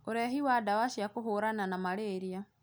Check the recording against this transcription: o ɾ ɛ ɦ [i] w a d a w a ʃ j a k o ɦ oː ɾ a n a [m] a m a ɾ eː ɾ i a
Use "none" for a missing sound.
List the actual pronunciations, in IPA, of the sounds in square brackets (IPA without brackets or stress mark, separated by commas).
i, n